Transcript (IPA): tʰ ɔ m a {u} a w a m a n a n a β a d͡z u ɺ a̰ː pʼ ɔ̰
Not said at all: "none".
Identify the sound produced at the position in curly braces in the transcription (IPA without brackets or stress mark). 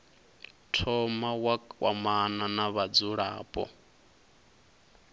w